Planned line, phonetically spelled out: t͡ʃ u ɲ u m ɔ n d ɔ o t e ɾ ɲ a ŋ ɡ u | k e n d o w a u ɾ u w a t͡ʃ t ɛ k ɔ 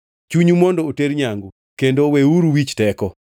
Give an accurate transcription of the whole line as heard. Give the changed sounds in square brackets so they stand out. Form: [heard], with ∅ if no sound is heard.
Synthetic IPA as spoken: t͡ʃ u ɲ u m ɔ n d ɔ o t e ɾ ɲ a ŋ ɡ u | k e n d o w [e] u ɾ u w [i] t͡ʃ t ɛ k ɔ

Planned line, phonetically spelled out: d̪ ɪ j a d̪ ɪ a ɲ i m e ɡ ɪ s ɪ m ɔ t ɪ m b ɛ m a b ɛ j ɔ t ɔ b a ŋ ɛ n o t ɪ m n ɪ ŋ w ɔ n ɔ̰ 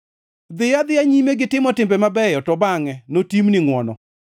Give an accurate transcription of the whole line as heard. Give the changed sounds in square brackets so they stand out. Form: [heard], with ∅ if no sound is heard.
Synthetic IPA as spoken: d̪ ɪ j a d̪ ɪ a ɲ i m e ɡ ɪ [t] ɪ m ɔ t ɪ m b ɛ m a b ɛ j ɔ t ɔ b a ŋ ɛ n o t [i] m n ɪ ŋ w ɔ n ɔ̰

